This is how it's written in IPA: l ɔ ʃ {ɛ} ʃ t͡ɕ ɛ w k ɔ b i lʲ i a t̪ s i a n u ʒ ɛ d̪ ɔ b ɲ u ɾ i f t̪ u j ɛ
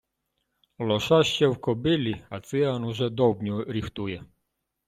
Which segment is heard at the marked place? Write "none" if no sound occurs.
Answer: a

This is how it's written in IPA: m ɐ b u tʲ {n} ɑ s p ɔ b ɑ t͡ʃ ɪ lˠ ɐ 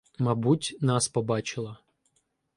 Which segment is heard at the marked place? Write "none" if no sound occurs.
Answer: n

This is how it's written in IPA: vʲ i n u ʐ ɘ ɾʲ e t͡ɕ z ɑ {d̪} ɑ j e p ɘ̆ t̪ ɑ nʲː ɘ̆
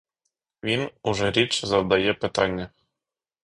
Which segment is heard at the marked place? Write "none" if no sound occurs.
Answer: d̪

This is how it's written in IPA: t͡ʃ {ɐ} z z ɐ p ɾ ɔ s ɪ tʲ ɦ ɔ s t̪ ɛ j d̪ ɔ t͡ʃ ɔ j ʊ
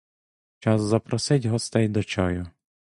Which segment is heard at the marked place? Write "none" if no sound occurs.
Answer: ɑ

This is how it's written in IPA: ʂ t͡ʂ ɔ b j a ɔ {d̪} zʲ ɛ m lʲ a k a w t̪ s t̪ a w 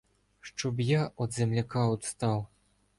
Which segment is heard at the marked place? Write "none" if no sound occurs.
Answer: d̪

